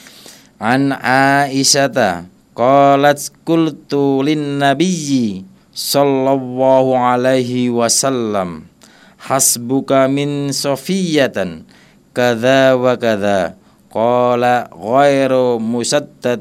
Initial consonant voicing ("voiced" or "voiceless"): voiced